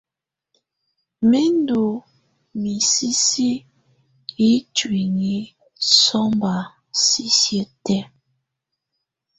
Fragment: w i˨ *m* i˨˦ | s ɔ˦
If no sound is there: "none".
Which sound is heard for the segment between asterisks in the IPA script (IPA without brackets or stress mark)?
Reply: ŋ